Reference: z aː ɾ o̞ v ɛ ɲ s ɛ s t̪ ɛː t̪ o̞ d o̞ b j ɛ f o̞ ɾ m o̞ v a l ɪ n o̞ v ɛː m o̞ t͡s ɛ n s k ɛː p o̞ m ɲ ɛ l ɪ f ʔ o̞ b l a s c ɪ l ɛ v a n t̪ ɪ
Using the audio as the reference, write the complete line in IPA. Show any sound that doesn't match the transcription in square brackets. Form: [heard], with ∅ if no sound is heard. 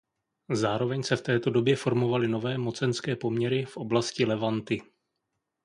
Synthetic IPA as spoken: z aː ɾ o̞ v ɛ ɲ s ɛ [f] t̪ ɛː t̪ o̞ d o̞ b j ɛ f o̞ ɾ m o̞ v a l ɪ n o̞ v ɛː m o̞ t͡s ɛ n s k ɛː p o̞ m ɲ ɛ [ɾ] ɪ f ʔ o̞ b l a s c ɪ l ɛ v a n t̪ ɪ